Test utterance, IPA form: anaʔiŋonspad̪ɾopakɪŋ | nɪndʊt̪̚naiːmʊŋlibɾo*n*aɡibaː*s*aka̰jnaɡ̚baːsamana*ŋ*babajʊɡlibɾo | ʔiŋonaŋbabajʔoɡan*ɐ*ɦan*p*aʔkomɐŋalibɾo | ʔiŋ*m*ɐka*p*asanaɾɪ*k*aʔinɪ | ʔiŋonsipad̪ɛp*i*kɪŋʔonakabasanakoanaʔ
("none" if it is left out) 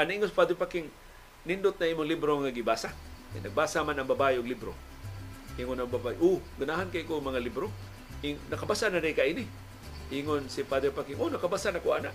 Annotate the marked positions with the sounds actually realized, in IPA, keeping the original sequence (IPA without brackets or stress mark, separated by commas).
ŋ, s, ŋ, a, k, n, b, k, a